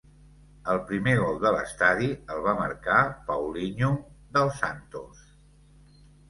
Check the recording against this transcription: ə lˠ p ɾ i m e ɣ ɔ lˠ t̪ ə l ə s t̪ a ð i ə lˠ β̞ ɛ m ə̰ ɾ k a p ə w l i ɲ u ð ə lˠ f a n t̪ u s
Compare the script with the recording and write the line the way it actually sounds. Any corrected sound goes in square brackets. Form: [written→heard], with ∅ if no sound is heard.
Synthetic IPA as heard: ə lˠ p ɾ i m e ɣ ɔ lˠ [t̪→d̪] ə l ə s t̪ a ð i ə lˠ β̞ [ɛ→a] m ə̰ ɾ k a p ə w l i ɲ u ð ə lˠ [f→s] a n t̪ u s

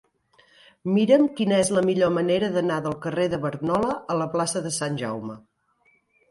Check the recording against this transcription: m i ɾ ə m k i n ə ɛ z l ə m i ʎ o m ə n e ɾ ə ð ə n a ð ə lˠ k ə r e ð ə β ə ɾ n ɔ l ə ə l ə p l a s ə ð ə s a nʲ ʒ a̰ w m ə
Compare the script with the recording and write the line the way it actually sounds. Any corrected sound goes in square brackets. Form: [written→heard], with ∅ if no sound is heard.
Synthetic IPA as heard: m i ɾ ə m k i n ə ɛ z l ə m i ʎ o m ə n e ɾ ə ð ə n a ð ə lˠ k ə r e ð ə β ə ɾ n ɔ l ə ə l ə p l a s ə ð ə s a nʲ ʒ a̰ w m ə

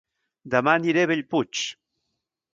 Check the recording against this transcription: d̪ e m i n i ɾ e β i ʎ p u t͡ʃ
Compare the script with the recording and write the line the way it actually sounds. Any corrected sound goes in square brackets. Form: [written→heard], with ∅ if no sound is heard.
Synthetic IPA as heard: d̪ [e→a] m [i→a] n i ɾ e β [i→e] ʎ p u t͡ʃ

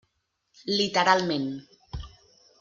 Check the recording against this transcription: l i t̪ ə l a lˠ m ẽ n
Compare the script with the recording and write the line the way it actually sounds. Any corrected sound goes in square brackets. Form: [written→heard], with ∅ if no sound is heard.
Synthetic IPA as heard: l i t̪ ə [l→ɾ] a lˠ m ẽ n

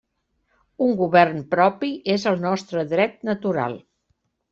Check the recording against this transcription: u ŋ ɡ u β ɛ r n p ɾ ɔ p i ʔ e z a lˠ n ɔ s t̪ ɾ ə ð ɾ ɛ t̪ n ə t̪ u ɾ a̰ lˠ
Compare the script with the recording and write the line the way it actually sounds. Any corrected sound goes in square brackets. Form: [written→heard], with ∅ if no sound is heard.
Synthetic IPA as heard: u ŋ ɡ u β ɛ r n p ɾ ɔ p i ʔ e z [a→ə] lˠ n ɔ s t̪ ɾ ə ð ɾ ɛ t̪ n ə t̪ u ɾ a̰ lˠ

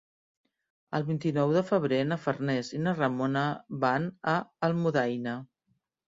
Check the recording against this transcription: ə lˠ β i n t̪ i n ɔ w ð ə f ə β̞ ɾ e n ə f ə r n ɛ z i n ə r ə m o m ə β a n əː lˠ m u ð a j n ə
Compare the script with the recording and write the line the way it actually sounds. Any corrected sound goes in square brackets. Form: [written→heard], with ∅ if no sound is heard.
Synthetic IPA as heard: ə lˠ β i n t̪ i n ɔ w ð ə f ə β̞ ɾ e n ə f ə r n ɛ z i n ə r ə m o [m→n] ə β a n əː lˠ m u ð a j n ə

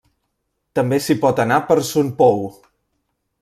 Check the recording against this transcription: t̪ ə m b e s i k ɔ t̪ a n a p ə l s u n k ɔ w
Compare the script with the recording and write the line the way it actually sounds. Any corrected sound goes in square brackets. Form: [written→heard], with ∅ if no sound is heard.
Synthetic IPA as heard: t̪ ə m b e s i [k→p] ɔ t̪ [a→ə] n a p ə [l→ɾ] s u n [k→p] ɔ w

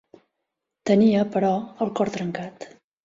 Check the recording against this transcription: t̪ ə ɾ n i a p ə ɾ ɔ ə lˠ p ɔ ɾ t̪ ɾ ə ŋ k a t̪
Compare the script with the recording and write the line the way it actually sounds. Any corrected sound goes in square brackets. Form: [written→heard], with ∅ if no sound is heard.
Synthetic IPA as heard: t̪ ə [ɾ→∅] n i [a→ə] p ə ɾ ɔ ə lˠ [p→k] ɔ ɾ t̪ ɾ ə ŋ k a t̪

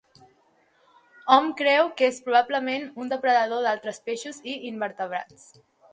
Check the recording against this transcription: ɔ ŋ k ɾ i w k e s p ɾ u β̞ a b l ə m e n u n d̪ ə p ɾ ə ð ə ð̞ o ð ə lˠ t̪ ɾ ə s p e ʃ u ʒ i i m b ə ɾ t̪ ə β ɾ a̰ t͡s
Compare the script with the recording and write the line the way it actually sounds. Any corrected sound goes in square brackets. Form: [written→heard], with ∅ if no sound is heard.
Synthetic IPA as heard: ɔ [ŋ→m] k ɾ [i→ɛ] w k e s p ɾ u β̞ a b l ə m e n u n d̪ ə p ɾ ə ð ə ð̞ o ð [ə→a] lˠ t̪ ɾ ə s p e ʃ u [ʒ→z] i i m b ə ɾ t̪ ə β ɾ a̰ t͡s

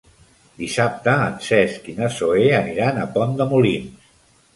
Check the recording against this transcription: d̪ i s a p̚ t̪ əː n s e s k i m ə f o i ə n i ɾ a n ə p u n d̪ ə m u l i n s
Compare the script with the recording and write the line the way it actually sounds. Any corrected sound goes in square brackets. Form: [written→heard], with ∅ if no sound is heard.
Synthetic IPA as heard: d̪ i s a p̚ t̪ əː n s [e→ɛ] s k i [m→n] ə [f→s] o [i→e] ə n i ɾ a n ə p [u→ɔ] n d̪ ə m u l i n s

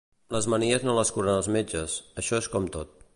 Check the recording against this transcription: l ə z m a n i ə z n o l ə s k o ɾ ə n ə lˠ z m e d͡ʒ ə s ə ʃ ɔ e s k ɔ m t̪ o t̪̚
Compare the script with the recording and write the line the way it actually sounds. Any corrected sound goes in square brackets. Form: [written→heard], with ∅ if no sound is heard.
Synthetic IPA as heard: l ə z m [a→ə] n i ə z n o l ə s k [o→u] ɾ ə n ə lˠ z m e d͡ʒ ə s ə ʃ ɔ e s k ɔ m t̪ o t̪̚

